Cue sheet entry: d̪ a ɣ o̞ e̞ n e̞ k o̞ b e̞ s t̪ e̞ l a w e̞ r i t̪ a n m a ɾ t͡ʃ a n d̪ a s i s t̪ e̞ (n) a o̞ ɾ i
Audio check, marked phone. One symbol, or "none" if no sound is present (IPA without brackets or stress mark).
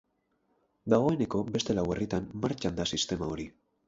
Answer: m